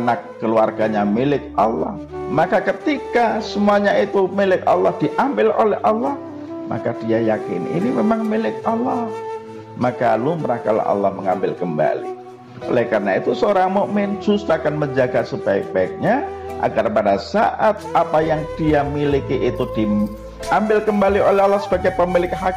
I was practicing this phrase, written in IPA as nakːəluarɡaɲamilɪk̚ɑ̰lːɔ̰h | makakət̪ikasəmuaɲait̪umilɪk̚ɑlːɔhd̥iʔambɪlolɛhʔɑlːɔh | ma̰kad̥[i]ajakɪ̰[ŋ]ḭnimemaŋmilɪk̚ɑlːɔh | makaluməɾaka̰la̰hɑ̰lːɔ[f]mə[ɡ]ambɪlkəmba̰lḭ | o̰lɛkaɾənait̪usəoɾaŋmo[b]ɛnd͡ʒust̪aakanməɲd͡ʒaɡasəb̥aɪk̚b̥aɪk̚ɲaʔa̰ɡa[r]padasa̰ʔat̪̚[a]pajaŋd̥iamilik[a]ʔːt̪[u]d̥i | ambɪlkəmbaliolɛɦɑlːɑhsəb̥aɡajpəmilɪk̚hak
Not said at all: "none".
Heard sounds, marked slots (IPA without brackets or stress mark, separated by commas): i, n, h, ŋ, m, r, a, i, u